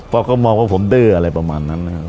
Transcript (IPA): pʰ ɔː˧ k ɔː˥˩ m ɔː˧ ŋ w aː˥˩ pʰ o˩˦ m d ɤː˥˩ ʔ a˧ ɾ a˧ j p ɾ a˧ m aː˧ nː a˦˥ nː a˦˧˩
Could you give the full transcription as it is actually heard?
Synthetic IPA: pʰ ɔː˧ k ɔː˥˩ m ɔː˧ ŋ w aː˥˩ pʰ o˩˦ m d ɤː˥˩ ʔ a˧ ɾ a˧ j p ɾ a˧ m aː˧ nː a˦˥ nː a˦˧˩